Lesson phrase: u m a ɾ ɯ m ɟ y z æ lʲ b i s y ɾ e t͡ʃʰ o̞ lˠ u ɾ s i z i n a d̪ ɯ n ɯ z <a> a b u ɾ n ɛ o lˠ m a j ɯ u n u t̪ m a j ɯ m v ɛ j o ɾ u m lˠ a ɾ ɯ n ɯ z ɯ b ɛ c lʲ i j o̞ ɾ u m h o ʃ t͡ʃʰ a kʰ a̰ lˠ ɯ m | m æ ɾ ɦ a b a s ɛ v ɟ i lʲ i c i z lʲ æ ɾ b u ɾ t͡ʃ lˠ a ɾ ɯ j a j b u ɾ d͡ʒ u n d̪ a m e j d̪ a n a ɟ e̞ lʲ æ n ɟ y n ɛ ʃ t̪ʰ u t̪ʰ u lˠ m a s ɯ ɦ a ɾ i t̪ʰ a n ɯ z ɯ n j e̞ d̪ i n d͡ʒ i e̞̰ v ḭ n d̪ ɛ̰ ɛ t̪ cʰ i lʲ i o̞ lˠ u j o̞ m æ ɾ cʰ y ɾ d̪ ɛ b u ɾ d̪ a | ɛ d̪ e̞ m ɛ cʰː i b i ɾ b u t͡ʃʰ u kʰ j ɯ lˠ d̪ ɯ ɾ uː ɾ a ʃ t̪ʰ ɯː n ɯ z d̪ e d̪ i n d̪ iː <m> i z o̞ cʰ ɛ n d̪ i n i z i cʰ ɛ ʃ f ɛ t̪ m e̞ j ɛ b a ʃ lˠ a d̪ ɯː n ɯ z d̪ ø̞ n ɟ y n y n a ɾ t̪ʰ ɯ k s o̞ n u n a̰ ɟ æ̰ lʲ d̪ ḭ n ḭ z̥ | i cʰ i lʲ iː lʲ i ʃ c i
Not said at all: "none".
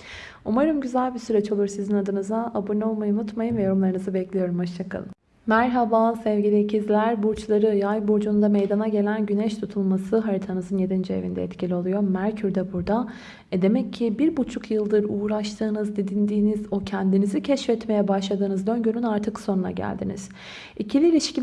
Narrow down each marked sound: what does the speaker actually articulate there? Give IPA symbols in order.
a, n

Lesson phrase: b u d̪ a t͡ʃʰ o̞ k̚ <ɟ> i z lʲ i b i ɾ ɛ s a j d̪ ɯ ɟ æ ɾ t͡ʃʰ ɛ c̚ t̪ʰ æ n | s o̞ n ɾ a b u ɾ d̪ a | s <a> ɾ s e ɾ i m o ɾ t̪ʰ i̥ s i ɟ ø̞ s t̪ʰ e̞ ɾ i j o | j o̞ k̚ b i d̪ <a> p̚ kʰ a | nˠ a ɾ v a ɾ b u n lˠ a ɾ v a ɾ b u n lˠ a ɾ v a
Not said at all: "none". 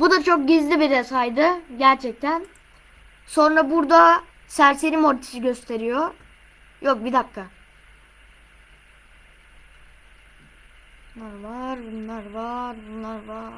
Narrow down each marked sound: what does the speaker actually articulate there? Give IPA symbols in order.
ɟ, æ, a

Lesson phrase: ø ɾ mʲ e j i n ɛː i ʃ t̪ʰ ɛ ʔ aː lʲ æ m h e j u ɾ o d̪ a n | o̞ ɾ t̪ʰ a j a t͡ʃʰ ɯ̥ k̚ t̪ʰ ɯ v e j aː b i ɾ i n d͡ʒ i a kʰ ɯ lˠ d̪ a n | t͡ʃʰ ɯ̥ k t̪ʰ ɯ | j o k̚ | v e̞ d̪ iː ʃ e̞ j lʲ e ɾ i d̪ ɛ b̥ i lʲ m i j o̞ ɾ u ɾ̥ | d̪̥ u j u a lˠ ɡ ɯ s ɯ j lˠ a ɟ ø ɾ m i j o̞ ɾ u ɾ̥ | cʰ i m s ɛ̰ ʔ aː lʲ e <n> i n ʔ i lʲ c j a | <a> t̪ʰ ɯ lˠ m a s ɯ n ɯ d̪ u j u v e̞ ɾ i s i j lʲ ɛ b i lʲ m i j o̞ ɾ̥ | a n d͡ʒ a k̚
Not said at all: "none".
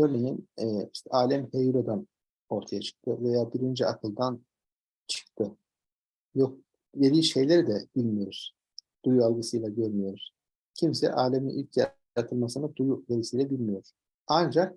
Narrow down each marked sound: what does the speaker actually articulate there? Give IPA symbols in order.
m, a

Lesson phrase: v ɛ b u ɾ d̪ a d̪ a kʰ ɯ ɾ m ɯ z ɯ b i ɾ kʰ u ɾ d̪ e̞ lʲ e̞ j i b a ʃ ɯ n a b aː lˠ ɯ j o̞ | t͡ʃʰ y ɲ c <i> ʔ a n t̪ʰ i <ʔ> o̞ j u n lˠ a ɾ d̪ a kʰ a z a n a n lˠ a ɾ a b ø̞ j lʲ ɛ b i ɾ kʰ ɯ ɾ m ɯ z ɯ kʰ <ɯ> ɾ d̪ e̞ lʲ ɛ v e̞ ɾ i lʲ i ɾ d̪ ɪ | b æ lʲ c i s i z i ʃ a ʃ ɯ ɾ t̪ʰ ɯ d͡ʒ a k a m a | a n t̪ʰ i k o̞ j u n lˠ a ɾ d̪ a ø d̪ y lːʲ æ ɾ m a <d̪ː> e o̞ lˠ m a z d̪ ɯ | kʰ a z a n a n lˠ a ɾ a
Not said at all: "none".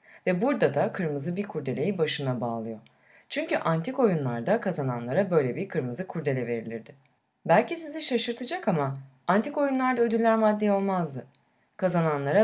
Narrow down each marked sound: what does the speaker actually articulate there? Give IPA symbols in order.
y, k, u, d̪ː

